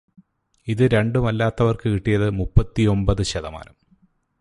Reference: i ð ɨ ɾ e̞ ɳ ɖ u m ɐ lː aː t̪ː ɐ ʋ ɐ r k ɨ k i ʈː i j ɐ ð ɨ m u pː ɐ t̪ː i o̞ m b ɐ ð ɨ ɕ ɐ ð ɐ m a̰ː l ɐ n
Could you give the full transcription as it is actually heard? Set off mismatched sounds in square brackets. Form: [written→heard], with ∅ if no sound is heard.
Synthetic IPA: i ð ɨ ɾ e̞ ɳ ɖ u m ɐ lː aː t̪ː ɐ ʋ ɐ r k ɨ k i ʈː i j ɐ ð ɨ m u pː ɐ t̪ː i o̞ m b ɐ ð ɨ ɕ ɐ ð ɐ m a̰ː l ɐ [n→m]